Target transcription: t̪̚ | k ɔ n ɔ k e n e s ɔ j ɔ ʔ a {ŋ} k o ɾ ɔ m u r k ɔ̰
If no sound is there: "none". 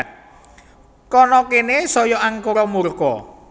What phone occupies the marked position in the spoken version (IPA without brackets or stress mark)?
ŋ